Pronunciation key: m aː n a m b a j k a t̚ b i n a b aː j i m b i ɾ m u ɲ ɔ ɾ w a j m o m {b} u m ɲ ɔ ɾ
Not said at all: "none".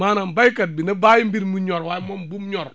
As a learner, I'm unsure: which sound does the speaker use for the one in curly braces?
b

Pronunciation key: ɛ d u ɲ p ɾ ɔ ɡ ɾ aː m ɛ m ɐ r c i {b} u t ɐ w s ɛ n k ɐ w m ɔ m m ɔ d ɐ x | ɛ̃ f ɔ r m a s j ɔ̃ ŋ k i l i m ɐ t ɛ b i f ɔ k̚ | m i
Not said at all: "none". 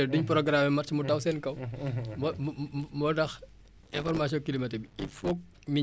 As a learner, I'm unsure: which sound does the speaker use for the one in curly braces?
m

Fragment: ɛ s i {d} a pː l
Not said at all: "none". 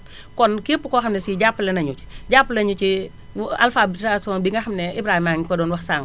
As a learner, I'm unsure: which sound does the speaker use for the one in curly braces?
ɟ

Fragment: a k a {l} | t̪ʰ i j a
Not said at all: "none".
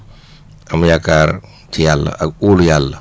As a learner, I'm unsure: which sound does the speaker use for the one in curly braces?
ɾ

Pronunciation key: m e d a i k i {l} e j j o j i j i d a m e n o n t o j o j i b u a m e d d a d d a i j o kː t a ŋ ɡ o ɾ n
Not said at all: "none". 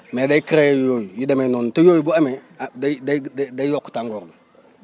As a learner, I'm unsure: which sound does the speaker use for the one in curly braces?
ɾ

